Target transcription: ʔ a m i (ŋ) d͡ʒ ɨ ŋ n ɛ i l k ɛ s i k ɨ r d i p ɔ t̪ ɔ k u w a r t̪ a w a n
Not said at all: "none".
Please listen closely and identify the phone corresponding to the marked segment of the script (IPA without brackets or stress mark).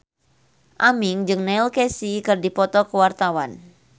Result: ŋ